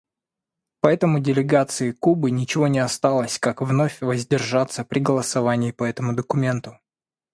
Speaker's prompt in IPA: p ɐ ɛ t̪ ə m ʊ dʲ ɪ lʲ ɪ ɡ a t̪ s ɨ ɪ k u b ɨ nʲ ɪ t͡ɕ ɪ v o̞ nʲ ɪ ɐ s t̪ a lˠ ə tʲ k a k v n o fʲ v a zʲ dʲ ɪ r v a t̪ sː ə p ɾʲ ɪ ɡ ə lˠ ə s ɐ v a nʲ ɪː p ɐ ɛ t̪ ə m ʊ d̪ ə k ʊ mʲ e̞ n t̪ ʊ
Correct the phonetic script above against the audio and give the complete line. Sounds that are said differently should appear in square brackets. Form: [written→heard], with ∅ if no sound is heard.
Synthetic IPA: p ɐ ɛ t̪ ə m ʊ dʲ ɪ lʲ ɪ ɡ a t̪ s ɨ ɪ k u b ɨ nʲ ɪ t͡ɕ ɪ v o̞ nʲ ɪ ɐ s t̪ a lˠ ə [tʲ→sʲ] k a k v n o fʲ v [a→ə] zʲ dʲ ɪ r [v→ʐ] a t̪ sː ə p ɾʲ ɪ ɡ ə lˠ ə s ɐ v a nʲ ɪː p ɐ ɛ t̪ ə m ʊ d̪ ə k ʊ mʲ e̞ n t̪ ʊ